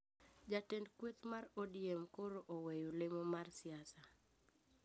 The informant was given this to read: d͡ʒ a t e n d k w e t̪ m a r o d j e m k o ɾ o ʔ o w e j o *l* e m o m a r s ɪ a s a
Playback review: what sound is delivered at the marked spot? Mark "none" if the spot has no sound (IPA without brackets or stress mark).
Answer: l